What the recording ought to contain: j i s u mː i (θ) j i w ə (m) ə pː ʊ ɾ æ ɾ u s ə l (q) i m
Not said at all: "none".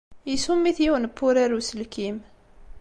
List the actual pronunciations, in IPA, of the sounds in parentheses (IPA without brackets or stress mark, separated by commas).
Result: θ, n, k